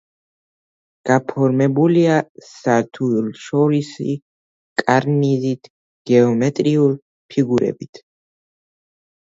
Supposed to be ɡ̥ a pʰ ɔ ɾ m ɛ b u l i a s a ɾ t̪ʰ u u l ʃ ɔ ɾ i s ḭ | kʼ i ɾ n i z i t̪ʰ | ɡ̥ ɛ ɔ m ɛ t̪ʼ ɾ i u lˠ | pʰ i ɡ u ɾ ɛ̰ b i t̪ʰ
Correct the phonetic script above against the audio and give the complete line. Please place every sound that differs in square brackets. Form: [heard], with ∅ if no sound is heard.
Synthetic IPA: ɡ̥ a pʰ ɔ ɾ m ɛ b u l i a s a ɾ t̪ʰ u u l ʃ ɔ ɾ i s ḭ | kʼ [a] ɾ n i z i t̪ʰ | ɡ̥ ɛ ɔ m ɛ t̪ʼ ɾ i u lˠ | pʰ i ɡ u ɾ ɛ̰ b i t̪ʰ